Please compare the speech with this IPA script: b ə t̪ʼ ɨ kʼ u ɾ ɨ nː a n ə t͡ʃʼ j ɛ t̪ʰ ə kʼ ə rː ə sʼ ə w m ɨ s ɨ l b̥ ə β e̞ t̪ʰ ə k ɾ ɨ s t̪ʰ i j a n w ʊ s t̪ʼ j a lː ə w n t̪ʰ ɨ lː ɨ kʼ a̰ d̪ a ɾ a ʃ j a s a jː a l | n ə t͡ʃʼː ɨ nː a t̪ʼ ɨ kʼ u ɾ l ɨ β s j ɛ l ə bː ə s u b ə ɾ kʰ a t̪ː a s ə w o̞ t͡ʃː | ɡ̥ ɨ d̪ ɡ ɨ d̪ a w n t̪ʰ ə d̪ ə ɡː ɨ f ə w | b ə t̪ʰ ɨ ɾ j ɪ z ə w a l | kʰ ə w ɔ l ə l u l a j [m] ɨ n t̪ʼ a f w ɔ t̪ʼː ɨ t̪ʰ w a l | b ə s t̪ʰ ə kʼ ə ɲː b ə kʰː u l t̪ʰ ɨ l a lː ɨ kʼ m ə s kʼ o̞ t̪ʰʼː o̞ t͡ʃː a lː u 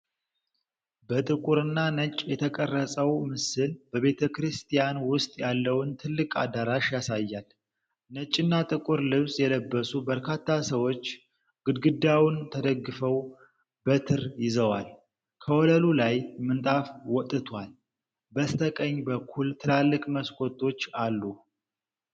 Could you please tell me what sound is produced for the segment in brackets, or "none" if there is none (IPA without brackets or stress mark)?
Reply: m